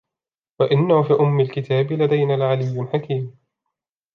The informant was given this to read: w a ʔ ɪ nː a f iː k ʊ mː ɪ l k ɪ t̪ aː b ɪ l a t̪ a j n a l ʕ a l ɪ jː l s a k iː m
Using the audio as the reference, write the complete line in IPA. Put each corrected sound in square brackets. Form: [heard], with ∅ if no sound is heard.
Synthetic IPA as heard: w a ʔ ɪ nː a f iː [ʔ] ʊ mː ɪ l k ɪ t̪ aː b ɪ l a [d̪] a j n a l ʕ a l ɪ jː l [ħ] a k iː m